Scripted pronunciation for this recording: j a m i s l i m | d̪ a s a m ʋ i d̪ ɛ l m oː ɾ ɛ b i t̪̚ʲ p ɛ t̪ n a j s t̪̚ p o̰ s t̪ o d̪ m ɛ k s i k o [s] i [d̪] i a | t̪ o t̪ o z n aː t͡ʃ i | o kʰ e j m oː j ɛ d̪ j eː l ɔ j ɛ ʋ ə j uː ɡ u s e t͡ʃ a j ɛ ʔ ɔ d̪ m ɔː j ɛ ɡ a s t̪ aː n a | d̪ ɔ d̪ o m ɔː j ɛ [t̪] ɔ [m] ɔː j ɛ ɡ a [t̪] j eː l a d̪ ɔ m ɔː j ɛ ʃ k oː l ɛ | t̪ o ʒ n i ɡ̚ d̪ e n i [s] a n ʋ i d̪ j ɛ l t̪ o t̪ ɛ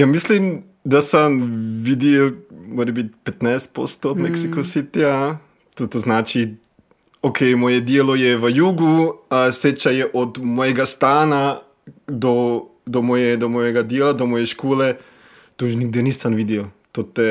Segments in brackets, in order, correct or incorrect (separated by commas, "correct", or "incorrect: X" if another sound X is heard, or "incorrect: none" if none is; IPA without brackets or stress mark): correct, incorrect: t̪, incorrect: d̪, correct, incorrect: d̪, correct